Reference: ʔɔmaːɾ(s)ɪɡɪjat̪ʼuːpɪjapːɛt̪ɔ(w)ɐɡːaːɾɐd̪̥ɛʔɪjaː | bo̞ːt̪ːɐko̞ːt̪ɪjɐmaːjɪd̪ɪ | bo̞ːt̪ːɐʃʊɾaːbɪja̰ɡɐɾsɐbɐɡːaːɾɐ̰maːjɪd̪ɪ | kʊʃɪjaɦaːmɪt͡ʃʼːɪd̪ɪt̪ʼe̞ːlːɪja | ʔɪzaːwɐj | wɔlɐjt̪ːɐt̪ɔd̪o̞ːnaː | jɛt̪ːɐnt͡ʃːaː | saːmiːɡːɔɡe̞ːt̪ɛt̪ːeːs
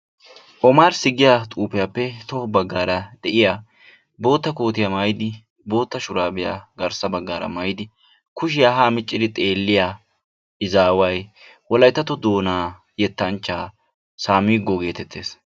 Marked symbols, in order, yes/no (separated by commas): yes, no